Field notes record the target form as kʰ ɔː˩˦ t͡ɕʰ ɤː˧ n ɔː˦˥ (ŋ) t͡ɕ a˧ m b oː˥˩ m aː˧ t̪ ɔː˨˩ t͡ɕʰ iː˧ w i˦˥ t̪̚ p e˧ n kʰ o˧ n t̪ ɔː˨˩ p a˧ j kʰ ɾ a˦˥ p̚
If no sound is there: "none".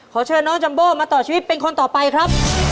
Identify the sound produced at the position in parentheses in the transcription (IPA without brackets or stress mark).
ŋ